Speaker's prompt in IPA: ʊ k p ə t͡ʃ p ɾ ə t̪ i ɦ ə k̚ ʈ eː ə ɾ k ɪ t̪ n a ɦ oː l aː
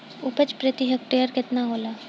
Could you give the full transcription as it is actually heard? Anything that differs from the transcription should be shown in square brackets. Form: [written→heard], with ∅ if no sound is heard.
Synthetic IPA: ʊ [k→∅] p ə t͡ʃ p ɾ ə t̪ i ɦ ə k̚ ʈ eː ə ɾ k ɪ t̪ n a ɦ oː l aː